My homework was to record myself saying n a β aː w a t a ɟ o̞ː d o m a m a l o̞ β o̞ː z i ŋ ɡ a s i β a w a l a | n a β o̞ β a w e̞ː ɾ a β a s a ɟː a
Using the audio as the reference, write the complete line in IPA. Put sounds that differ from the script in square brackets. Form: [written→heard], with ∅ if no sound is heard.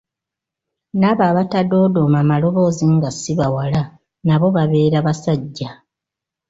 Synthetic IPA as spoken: n a β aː [w→β] a t a [ɟ→d] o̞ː d o m a m a l o̞ β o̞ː z i ŋ ɡ a s i β a w a l a | n a β o̞ β a [w→β] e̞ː ɾ a β a s a ɟː a